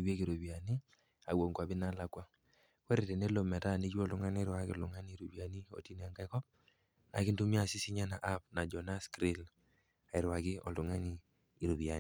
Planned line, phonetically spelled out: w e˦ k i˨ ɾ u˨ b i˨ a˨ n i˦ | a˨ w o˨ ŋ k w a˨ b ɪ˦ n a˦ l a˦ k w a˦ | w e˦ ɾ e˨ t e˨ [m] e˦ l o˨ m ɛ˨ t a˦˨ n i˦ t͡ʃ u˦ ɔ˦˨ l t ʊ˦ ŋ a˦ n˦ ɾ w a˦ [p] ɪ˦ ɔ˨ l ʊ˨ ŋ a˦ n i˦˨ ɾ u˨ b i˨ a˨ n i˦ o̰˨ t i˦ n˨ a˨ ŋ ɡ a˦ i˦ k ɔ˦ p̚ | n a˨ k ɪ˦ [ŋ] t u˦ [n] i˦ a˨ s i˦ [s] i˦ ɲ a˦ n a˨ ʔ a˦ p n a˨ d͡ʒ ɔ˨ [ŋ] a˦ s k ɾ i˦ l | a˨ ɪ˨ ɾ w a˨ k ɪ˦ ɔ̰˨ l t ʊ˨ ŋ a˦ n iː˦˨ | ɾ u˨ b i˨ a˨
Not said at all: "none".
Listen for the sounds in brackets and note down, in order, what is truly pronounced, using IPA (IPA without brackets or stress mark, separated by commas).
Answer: n, k, n, m, s, n